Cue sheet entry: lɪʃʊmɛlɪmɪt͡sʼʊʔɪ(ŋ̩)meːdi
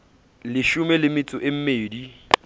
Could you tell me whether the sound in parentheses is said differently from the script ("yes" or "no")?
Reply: yes